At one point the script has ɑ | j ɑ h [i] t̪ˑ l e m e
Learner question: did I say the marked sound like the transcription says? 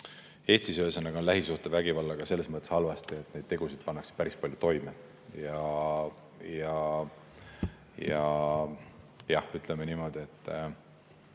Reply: no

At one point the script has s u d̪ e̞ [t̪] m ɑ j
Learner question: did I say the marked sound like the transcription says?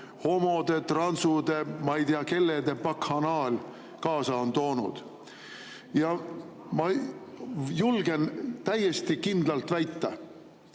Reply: no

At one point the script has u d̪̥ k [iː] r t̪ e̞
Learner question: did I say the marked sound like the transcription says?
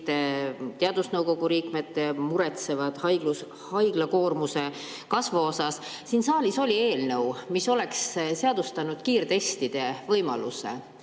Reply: yes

